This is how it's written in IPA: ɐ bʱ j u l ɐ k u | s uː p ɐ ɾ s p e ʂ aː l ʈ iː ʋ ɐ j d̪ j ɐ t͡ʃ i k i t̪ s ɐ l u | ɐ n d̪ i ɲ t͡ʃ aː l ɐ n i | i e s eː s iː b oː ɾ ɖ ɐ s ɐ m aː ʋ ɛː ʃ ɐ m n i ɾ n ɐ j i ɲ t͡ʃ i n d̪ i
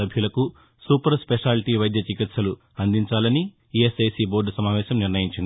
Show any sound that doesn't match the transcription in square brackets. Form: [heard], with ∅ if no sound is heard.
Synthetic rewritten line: ɐ bʱ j u l ɐ k u | s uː p ɐ ɾ s p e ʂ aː l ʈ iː ʋ ɐ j d̪ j ɐ t͡ʃ i k i t̪ s ɐ l u | ɐ n d̪ i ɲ t͡ʃ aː l ɐ n i | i e s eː s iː b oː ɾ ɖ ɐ s ɐ m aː ʋ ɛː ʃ ɐ m n i ɾ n ɐ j i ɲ t͡ʃ i n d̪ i